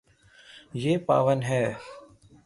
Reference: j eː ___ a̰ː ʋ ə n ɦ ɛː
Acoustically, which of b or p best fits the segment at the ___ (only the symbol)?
p